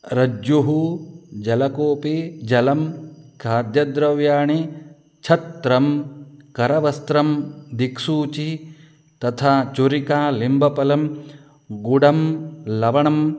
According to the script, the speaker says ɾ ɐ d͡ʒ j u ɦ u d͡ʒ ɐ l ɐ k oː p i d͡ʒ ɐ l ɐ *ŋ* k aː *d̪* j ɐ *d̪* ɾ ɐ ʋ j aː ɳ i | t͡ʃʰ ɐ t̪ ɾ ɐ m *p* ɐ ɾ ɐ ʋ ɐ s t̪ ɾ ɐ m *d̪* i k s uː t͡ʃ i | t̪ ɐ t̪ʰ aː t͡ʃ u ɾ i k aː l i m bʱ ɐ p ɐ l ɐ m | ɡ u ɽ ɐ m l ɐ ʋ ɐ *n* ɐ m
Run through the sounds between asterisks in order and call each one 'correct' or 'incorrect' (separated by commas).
incorrect, correct, correct, incorrect, correct, incorrect